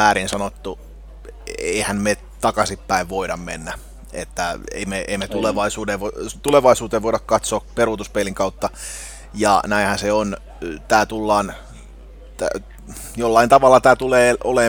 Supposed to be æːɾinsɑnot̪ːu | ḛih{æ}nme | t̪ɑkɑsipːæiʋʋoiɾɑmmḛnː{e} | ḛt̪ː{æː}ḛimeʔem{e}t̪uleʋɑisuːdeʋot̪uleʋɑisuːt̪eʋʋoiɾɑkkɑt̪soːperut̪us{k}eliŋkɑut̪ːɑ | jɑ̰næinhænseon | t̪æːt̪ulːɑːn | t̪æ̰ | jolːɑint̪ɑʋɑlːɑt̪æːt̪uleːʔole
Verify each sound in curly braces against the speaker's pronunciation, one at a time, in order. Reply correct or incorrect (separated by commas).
correct, incorrect, incorrect, correct, incorrect